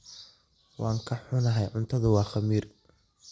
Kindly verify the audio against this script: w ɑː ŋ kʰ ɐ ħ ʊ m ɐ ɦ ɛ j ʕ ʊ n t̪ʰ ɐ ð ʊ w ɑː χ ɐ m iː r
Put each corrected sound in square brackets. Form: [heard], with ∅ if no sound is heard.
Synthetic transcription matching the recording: w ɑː ŋ kʰ ɐ ħ ʊ [n] ɐ ɦ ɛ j ʕ ʊ n t̪ʰ ɐ ð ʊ w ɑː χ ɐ m iː r